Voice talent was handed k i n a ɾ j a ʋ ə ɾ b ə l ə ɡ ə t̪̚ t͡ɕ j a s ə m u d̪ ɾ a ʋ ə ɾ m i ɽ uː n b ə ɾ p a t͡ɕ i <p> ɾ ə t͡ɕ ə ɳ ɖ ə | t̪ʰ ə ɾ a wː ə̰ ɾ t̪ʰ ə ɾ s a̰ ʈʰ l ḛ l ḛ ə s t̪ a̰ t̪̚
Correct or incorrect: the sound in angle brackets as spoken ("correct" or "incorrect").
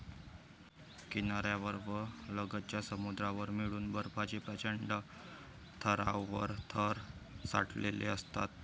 correct